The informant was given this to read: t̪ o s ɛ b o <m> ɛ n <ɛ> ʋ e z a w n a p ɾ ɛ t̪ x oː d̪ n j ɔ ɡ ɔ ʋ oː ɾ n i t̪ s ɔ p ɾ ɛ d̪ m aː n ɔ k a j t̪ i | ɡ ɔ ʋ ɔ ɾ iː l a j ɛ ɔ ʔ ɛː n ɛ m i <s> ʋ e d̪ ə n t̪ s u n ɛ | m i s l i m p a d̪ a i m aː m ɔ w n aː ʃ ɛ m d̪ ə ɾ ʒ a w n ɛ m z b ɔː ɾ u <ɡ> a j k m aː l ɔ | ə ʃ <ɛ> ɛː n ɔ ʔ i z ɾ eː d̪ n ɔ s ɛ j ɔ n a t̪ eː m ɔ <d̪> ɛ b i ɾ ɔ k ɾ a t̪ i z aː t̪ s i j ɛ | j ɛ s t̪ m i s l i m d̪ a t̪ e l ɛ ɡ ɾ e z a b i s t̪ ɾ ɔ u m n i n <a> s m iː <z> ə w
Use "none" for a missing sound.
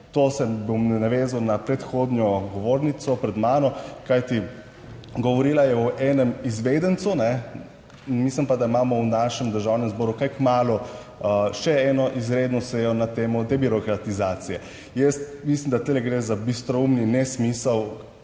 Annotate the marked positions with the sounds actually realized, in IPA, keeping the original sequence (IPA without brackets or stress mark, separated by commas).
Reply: m, a, z, k, ɛ, d̪, ɛ, s